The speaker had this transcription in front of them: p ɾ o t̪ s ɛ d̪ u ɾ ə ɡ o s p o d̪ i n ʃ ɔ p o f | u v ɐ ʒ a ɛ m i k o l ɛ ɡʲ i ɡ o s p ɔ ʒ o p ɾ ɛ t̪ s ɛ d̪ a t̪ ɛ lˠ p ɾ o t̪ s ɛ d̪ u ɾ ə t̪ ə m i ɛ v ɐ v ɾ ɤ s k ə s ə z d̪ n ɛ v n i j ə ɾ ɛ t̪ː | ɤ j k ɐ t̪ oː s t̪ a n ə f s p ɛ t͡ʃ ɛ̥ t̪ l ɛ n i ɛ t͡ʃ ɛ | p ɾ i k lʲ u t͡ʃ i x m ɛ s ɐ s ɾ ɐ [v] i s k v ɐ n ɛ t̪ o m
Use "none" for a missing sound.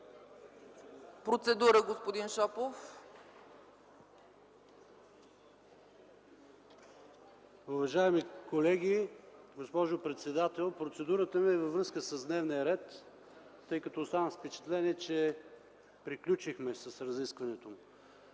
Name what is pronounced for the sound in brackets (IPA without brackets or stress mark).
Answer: z